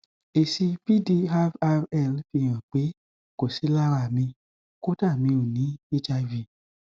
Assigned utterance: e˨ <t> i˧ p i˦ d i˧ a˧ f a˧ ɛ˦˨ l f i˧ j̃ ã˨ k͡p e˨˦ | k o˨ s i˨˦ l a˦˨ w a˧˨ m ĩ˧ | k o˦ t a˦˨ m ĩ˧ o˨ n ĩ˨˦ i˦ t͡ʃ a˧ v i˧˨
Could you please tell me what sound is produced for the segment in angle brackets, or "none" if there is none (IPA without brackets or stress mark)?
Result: s